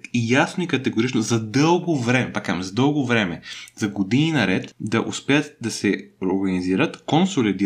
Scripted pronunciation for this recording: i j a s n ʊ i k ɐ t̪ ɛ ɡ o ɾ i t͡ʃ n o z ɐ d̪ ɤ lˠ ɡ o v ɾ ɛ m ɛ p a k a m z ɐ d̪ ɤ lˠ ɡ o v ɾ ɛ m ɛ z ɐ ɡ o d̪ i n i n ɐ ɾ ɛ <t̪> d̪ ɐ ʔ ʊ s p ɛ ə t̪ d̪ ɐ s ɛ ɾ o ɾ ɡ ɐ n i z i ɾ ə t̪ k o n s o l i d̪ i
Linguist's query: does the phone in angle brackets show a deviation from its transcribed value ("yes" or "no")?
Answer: no